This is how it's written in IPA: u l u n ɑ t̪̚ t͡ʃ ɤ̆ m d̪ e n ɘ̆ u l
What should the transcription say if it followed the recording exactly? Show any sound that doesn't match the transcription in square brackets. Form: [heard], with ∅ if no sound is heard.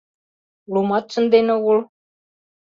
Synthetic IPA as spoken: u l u [m] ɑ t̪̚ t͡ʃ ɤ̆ [n] d̪ e n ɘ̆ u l

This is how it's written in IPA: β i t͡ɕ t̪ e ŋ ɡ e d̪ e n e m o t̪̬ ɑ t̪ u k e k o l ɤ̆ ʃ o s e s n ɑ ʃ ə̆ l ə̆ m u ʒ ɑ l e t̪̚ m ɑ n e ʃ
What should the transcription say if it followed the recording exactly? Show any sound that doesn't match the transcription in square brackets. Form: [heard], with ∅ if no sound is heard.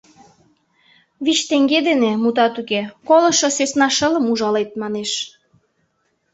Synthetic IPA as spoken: β i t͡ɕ t̪ e ŋ ɡ e d̪ e n e m [u] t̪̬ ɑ t̪ u k e k o l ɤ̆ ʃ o s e s n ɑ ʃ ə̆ l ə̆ m u ʒ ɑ l e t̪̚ m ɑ n e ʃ

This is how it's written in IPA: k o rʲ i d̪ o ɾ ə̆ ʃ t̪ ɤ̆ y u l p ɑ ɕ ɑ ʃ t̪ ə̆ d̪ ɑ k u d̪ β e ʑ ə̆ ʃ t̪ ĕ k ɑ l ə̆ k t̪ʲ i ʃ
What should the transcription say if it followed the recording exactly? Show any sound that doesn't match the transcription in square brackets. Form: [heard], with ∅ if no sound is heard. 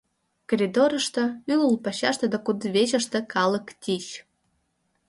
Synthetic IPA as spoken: k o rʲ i d̪ o ɾ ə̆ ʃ t̪ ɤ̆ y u l p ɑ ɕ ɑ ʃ t̪ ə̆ d̪ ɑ k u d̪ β e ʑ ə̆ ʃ t̪ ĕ k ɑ l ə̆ k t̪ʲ i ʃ

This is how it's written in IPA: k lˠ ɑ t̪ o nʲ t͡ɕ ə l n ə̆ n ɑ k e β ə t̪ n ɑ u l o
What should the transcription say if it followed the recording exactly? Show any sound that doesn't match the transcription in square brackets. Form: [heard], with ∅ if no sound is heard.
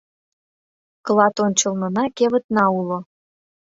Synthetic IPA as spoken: k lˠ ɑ t̪ o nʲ t͡ɕ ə l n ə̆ n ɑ k e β ə t̪ n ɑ u l o

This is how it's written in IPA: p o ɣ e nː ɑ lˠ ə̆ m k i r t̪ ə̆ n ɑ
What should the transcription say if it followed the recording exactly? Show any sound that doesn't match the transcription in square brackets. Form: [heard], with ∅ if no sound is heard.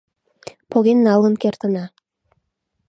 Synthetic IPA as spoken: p o ɣ e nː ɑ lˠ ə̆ [n] k [e] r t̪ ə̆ n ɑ

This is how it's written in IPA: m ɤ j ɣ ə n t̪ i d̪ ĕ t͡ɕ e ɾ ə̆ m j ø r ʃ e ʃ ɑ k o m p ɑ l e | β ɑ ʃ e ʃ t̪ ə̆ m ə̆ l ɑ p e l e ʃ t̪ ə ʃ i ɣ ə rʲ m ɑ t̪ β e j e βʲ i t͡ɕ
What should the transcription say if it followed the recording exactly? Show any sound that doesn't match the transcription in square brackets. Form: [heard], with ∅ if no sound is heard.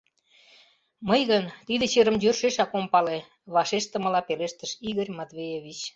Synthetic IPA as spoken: m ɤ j ɣ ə n t̪ i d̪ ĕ t͡ɕ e ɾ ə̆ m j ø r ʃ e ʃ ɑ k o m p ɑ l e | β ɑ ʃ e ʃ t̪ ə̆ m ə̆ l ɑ p e l e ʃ t̪ ə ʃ i ɣ ə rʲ m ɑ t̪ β e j e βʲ i t͡ɕ

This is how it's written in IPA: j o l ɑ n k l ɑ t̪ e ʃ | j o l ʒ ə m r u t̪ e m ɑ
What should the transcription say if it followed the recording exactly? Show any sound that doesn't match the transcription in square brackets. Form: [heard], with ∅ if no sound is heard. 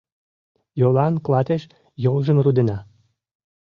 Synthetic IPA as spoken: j o l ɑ n k l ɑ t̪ e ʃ | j o l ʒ ə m r u [d̪] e [n] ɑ

